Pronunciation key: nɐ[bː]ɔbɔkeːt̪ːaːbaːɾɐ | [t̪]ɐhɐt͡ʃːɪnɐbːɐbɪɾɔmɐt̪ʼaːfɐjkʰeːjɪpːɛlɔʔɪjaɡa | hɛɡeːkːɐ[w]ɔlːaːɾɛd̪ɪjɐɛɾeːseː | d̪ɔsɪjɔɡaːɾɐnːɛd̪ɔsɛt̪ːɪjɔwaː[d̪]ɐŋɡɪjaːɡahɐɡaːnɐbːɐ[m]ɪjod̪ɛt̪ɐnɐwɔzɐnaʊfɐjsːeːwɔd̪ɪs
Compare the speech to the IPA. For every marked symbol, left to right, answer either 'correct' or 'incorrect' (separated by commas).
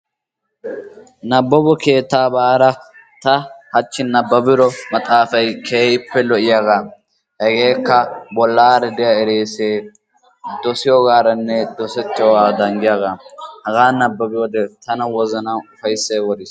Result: correct, correct, incorrect, correct, incorrect